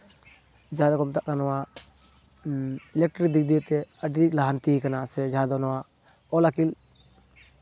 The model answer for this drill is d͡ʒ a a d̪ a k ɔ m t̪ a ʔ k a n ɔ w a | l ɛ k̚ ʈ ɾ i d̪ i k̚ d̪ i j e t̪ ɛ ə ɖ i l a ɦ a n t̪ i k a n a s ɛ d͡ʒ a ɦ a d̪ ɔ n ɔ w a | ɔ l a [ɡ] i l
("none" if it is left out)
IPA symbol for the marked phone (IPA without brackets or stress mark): k